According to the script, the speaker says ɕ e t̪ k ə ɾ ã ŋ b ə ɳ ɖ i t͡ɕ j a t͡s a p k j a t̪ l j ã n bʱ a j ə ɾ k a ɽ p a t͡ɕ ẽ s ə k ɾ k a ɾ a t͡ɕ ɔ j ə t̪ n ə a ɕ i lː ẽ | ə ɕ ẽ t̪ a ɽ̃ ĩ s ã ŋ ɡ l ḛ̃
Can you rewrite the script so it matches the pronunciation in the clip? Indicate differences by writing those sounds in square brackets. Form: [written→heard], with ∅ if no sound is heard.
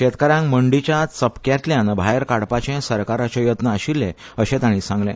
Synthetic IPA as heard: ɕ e t̪ k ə ɾ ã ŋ [b→m] ə ɳ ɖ i t͡ɕ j a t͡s [a→ə] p k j a t̪ l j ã n bʱ a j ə ɾ k a ɽ p a t͡ɕ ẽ s ə [k→∅] ɾ k a ɾ a t͡ɕ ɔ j ə t̪ n ə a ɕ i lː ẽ | ə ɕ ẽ t̪ a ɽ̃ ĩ s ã ŋ ɡ l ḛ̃